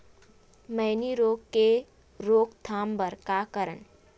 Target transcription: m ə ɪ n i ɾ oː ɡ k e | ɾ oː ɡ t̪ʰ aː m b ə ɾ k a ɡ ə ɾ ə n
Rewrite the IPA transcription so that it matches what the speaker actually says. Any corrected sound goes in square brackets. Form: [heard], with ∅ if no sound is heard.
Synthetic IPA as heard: m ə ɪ n i ɾ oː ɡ k e | ɾ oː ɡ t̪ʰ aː m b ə ɾ k a [k] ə ɾ ə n